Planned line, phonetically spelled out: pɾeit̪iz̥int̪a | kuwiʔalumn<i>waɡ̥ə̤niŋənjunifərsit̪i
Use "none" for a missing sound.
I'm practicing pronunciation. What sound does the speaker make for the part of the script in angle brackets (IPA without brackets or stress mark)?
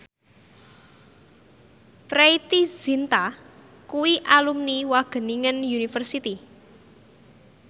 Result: i